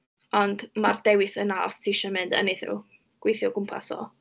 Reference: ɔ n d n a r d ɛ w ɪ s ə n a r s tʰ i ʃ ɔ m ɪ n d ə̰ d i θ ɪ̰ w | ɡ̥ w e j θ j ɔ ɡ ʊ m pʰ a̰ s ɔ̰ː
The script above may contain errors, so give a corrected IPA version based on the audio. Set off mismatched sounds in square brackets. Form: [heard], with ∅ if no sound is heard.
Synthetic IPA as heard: ɔ n d [m] a r d ɛ w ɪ s ə n a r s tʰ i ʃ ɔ m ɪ n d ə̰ [n] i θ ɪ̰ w | ɡ̥ w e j θ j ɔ ɡ ʊ m pʰ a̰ s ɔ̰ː